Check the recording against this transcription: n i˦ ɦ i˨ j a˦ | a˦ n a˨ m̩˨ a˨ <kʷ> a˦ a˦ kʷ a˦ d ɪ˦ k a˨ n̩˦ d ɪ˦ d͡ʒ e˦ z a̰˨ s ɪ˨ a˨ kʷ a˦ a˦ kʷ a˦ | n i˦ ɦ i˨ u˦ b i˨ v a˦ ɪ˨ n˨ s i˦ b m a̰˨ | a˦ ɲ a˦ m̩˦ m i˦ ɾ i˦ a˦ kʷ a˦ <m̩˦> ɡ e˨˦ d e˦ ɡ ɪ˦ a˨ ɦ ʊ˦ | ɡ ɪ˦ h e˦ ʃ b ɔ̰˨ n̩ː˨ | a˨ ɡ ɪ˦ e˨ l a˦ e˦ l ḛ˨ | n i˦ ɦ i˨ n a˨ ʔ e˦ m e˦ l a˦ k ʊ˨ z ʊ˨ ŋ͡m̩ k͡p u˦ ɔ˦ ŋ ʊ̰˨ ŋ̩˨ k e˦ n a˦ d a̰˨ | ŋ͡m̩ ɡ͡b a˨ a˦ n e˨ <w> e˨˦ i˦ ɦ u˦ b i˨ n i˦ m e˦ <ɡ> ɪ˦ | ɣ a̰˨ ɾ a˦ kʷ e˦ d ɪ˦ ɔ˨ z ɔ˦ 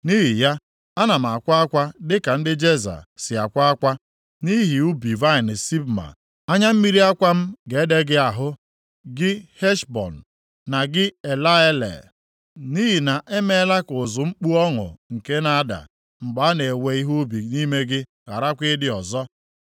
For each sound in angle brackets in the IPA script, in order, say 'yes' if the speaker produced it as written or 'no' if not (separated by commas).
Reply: yes, yes, yes, yes